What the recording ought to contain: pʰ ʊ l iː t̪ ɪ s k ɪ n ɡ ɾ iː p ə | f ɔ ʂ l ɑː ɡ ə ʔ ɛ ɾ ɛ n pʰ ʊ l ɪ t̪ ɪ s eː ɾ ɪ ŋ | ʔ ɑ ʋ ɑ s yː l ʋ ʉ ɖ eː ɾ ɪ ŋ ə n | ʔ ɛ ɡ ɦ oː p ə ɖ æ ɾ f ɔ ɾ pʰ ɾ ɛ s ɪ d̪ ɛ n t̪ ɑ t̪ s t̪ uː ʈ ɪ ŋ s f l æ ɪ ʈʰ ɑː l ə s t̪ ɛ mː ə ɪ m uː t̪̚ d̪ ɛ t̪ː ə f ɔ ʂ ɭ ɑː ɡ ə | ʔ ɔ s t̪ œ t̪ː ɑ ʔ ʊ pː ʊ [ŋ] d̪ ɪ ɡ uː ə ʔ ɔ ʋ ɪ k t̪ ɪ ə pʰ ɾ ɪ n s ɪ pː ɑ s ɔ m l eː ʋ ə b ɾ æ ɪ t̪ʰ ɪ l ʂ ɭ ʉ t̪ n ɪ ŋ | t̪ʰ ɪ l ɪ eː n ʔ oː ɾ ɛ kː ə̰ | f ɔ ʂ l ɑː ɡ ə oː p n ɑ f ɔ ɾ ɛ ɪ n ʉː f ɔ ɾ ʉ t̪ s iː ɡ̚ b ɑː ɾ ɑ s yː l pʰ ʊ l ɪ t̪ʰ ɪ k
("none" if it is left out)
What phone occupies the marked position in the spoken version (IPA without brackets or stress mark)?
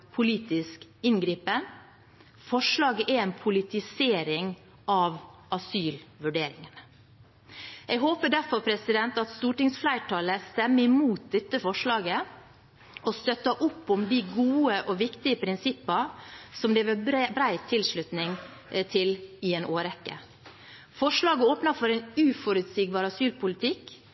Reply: m